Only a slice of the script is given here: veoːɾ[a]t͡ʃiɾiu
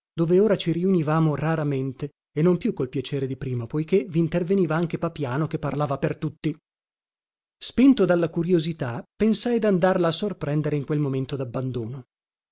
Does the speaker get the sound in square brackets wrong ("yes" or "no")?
no